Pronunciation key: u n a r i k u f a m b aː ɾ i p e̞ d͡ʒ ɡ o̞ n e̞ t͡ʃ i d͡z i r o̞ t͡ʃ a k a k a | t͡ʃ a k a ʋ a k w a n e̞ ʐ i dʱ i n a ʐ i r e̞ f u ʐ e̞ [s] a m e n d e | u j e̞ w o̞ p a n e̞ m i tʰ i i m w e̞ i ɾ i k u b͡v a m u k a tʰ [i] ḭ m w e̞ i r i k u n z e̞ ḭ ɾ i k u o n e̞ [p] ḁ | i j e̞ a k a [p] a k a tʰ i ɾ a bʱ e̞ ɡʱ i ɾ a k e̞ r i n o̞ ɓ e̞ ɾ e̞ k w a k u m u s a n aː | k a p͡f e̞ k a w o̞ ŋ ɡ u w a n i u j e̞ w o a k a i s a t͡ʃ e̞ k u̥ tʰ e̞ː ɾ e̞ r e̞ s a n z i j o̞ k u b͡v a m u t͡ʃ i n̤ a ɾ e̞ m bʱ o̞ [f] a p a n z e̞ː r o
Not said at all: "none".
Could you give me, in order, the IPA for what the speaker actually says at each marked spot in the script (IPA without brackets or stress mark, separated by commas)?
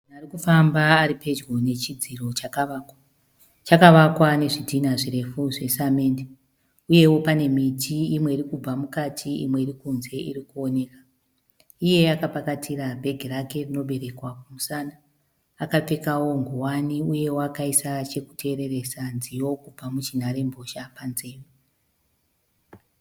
s, i, k, p, ʃ